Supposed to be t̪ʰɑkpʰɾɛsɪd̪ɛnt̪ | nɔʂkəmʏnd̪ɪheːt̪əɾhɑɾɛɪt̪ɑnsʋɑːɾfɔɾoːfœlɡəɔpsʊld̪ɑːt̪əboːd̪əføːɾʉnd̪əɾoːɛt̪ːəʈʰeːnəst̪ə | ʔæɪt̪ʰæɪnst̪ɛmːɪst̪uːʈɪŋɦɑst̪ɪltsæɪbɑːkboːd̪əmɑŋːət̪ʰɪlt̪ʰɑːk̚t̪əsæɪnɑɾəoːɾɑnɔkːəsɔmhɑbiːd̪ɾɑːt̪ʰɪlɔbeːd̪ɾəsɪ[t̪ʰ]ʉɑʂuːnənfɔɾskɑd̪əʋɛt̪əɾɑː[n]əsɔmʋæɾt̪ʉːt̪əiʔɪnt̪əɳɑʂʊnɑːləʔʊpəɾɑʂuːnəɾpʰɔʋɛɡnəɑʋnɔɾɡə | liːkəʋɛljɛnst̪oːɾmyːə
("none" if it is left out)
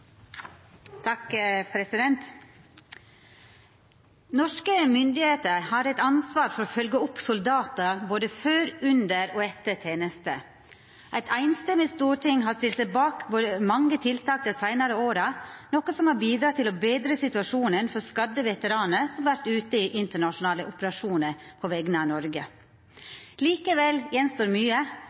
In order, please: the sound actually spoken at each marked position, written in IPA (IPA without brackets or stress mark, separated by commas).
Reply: t̪, n